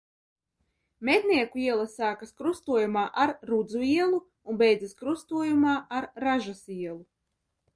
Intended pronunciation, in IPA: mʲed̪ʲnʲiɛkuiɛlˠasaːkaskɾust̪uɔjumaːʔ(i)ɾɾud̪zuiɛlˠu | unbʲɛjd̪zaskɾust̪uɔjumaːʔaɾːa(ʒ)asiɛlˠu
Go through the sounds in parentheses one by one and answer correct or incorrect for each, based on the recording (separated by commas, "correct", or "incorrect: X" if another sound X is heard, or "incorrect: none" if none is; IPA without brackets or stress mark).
incorrect: a, correct